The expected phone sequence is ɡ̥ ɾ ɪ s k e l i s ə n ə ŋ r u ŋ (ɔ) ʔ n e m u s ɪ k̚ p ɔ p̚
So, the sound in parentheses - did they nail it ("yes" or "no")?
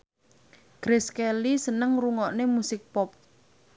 yes